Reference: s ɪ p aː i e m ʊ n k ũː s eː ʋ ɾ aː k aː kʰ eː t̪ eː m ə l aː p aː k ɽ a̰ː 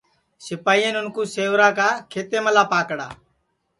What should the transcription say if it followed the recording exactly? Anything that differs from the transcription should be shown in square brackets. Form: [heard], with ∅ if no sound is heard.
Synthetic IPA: s ɪ p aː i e [n] ʊ n k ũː s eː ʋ ɾ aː k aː kʰ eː t̪ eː m ə l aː p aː k ɽ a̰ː